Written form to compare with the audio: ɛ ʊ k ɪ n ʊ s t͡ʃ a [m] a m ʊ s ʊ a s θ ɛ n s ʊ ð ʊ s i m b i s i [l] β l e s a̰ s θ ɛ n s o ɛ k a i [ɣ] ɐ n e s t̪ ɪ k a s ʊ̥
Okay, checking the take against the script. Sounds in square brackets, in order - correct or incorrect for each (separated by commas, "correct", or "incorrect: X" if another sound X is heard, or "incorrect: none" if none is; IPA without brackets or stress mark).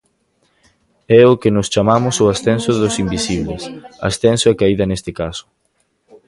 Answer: correct, incorrect: none, incorrect: ð